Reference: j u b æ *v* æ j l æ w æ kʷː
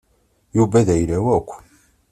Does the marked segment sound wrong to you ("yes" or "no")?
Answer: yes